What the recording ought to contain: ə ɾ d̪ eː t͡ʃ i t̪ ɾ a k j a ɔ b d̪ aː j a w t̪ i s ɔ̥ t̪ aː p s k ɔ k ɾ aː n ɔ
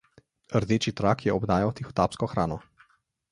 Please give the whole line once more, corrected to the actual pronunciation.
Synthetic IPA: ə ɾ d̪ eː t͡ʃ i t̪ ɾ a k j ɛ ɔ b d̪ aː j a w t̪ i x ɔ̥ t̪ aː p s k ɔ x ɾ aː n ɔ